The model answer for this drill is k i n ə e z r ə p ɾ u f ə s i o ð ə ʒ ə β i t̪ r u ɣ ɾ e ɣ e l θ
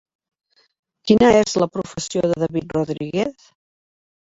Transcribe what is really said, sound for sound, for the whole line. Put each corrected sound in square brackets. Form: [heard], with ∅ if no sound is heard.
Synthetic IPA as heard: k i n ə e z [l] ə p ɾ u f ə s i o ð ə [ð] ə β i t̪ r u [ð] ɾ [i] ɣ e [∅] θ